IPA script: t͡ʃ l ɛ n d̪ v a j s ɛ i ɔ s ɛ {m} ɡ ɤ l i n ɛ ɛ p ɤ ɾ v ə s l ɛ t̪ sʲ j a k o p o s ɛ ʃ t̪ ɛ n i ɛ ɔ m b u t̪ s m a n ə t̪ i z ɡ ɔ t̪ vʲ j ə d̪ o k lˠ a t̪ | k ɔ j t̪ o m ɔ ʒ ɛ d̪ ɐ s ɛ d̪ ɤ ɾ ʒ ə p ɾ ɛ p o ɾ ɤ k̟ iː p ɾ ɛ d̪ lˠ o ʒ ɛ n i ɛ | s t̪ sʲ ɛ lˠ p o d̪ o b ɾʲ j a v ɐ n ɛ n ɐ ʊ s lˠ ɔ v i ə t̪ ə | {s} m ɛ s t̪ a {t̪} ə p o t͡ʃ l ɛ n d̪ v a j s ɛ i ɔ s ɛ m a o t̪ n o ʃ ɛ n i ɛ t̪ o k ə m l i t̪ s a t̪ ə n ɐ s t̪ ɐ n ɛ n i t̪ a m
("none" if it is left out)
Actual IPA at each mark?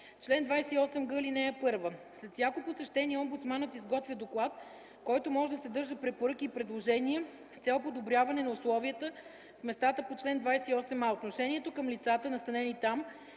m, f, t̪

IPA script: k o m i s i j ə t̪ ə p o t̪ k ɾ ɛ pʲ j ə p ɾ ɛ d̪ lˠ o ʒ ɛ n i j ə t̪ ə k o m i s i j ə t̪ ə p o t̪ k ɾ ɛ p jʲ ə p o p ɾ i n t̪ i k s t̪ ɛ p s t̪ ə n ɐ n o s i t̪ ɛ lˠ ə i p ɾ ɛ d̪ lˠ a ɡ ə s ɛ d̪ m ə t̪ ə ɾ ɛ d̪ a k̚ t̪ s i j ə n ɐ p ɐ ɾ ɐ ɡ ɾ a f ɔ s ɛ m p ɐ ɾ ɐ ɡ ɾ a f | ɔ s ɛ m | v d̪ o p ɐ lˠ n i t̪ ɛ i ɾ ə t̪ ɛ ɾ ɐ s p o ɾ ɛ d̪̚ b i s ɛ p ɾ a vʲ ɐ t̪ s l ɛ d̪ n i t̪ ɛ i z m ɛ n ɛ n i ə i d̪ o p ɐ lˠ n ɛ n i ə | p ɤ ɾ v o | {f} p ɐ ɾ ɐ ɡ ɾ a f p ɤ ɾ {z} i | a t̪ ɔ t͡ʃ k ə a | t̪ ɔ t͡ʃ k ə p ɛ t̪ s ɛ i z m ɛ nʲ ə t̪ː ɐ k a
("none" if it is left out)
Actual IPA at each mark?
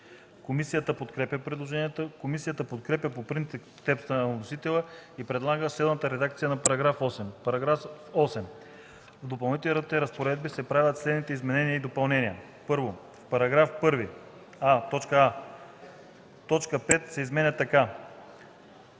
f, v

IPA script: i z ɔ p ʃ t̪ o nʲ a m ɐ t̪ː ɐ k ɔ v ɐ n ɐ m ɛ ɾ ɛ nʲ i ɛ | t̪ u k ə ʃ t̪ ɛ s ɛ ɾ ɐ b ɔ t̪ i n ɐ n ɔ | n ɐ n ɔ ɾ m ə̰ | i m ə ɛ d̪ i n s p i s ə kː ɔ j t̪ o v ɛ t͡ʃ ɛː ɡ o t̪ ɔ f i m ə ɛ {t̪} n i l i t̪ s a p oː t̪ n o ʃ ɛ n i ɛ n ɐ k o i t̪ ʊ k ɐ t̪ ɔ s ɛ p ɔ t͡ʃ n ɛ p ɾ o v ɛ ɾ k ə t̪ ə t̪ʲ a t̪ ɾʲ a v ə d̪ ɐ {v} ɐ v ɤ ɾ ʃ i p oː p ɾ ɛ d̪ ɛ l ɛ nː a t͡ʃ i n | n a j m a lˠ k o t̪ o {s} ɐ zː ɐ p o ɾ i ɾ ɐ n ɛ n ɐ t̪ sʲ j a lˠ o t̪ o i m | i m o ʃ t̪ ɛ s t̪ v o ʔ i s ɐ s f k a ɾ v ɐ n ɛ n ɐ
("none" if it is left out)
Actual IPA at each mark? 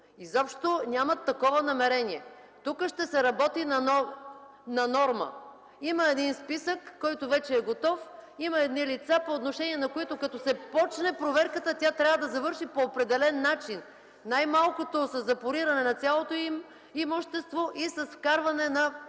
d̪, z, s

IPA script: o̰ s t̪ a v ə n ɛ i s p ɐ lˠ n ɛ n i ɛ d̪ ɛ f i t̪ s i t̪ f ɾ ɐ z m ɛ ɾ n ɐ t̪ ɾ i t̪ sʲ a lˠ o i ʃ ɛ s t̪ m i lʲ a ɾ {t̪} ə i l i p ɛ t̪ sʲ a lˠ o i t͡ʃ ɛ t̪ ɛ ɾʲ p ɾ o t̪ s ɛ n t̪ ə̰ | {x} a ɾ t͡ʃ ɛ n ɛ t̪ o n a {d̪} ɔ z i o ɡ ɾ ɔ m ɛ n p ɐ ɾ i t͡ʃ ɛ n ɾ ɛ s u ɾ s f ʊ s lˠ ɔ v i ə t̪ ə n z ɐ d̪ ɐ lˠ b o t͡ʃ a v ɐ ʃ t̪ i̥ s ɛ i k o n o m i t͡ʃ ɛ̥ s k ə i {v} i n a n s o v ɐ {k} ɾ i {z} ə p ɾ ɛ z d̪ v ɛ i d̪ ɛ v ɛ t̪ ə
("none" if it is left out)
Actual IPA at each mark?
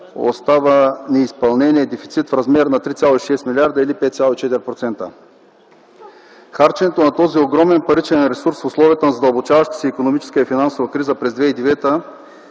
d̪, x, t̪, f, k, z

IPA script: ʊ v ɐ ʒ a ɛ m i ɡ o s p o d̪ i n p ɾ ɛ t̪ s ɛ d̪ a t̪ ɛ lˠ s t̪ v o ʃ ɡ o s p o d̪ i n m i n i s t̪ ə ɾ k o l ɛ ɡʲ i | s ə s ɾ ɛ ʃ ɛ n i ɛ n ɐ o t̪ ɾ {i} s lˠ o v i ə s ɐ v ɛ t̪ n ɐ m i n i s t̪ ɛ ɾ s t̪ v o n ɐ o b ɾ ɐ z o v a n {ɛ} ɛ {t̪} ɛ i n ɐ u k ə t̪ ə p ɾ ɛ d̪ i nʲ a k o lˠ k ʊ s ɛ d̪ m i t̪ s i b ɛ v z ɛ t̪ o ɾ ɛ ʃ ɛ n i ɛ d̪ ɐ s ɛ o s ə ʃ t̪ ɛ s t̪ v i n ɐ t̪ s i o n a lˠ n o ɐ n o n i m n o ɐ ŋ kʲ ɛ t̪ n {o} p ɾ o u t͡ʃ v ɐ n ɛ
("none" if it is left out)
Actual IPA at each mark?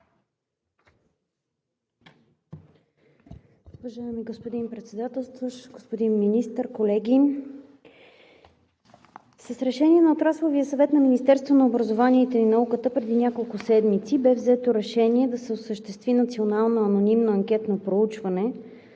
a, i, t̪, o

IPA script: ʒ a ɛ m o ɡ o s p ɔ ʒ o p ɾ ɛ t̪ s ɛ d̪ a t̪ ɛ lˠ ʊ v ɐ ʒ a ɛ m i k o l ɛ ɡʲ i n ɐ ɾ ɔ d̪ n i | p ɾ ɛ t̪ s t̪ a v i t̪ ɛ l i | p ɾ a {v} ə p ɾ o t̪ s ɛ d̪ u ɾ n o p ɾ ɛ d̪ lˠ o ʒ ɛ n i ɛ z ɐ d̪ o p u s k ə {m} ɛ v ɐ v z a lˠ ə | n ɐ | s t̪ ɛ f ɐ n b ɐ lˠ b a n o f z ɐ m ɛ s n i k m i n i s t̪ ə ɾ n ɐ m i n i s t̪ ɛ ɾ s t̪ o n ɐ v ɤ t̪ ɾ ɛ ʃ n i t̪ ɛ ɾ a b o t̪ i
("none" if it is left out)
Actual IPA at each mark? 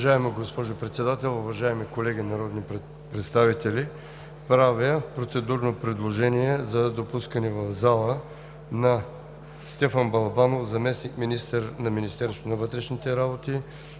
v, n

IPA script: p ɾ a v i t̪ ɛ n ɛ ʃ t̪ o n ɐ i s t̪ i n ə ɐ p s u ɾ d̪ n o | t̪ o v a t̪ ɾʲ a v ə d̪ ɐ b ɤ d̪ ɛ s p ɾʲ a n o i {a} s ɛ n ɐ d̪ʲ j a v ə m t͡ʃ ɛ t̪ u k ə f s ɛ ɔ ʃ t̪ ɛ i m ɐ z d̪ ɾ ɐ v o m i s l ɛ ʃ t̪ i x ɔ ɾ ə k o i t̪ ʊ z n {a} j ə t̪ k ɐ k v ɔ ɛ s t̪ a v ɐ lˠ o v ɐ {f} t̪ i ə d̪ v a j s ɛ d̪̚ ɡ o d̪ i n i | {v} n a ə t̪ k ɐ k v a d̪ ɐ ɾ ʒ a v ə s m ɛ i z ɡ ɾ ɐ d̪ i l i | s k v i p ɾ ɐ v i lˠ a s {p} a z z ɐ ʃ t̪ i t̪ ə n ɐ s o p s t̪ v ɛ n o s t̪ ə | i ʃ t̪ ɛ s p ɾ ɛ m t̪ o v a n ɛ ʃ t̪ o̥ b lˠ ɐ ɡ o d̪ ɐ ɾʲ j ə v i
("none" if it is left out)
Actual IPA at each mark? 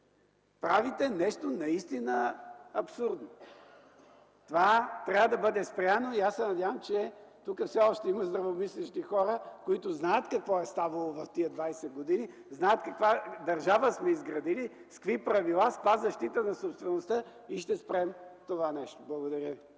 a, a, f, z, p

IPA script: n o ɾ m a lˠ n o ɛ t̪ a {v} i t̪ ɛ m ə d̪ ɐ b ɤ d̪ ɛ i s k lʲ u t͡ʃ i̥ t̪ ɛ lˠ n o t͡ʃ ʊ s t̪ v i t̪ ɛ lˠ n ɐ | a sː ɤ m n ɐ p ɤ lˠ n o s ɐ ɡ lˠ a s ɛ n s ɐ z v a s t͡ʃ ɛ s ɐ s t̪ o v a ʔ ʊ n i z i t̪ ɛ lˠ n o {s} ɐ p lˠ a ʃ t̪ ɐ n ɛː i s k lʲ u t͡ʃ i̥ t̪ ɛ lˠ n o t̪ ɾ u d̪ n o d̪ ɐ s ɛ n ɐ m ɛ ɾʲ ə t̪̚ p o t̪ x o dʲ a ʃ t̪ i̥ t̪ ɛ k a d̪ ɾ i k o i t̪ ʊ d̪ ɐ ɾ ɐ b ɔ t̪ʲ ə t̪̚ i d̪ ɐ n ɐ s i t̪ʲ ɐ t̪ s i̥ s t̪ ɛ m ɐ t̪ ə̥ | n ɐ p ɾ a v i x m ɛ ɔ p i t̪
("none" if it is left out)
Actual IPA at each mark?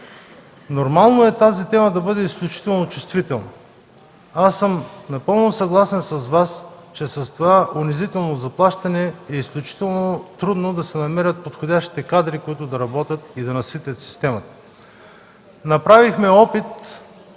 z, z

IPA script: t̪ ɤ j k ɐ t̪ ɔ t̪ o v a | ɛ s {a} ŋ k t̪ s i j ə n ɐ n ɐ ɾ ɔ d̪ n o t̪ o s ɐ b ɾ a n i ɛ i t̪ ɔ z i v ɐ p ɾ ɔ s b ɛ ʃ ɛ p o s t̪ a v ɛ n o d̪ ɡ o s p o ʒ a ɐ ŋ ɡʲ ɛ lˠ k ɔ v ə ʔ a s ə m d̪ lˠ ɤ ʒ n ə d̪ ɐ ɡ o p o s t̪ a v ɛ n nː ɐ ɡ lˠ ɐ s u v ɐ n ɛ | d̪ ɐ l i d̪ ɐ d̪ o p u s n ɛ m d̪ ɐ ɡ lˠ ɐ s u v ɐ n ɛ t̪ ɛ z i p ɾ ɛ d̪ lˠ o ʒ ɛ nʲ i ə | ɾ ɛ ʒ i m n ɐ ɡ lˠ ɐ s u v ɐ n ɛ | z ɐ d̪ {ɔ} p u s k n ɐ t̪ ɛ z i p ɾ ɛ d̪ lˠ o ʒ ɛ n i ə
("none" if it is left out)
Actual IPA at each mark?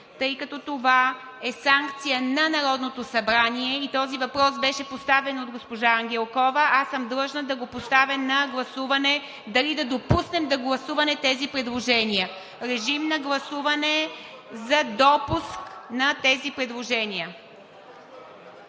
a, ɔ

